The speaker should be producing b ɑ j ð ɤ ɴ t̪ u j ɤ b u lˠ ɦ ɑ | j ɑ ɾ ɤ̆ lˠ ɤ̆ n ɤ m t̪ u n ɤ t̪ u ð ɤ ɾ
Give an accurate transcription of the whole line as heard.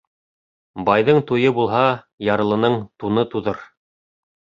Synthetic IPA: b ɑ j ð ɤ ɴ t̪ u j ɤ b u lˠ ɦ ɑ | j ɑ ɾ ɤ̆ lˠ ɤ̆ n ɤ ɴ t̪ u n ɤ t̪ u ð ɤ ɾ